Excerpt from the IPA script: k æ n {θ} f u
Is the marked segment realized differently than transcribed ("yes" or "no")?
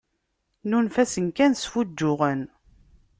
yes